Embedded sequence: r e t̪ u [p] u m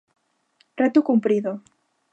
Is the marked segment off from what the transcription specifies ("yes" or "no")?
yes